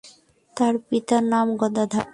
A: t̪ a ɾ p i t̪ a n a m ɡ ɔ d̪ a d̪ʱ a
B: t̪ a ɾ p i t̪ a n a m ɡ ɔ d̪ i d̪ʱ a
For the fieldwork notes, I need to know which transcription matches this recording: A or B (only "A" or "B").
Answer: A